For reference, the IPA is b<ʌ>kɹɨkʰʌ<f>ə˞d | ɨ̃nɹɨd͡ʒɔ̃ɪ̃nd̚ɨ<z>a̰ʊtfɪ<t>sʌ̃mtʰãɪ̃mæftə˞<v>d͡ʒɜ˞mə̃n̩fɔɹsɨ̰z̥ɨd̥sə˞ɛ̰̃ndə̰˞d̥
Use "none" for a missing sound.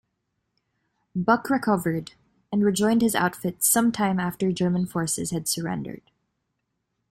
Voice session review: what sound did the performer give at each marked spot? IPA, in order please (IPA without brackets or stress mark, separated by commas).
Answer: ʌ, v, z, t, none